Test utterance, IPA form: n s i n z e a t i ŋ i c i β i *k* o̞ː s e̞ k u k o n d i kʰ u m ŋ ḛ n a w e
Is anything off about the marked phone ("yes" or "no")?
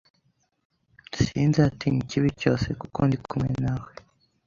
yes